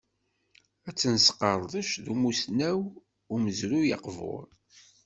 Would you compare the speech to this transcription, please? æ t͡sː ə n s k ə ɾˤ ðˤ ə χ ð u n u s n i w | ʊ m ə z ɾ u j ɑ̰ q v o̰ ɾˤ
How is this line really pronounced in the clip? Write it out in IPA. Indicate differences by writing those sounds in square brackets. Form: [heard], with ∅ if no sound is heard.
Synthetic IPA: æ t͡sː ə n s [q] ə ɾˤ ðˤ ə [ʃ] ð u [m] u s n [æ] w | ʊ m ə z ɾ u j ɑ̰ q v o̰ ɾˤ